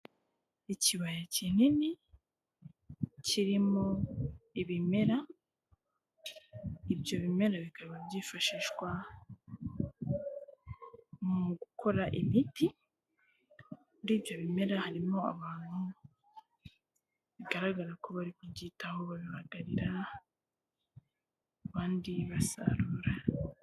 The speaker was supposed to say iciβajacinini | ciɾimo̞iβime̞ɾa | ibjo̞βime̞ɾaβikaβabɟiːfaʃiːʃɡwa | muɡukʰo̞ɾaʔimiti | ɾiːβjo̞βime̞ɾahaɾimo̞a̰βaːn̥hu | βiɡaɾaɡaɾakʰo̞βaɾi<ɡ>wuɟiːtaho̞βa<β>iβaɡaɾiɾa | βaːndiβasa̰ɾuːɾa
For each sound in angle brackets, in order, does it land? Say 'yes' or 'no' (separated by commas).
no, yes